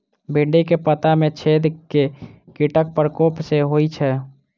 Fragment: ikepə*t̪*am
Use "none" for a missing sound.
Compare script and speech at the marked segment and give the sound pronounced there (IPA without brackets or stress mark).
t̪